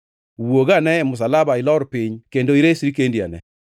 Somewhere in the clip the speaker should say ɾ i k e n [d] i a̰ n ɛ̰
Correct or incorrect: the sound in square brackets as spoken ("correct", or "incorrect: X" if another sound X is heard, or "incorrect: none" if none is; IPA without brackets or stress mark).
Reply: correct